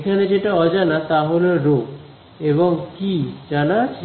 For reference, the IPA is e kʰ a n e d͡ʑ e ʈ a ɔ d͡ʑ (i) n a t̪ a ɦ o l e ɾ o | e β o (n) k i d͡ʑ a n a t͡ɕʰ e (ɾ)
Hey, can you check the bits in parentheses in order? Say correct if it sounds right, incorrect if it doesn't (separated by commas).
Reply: incorrect, incorrect, incorrect